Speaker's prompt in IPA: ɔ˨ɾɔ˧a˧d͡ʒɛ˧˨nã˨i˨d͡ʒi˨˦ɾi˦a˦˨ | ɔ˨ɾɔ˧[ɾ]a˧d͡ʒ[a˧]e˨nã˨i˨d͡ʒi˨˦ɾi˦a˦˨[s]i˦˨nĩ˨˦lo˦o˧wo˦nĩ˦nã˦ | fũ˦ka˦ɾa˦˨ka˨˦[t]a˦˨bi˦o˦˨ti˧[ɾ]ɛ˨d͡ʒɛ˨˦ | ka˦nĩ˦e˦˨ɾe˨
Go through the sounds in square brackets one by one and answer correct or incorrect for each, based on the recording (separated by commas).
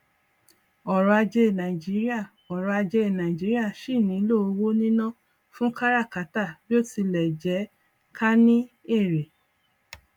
incorrect, incorrect, incorrect, correct, incorrect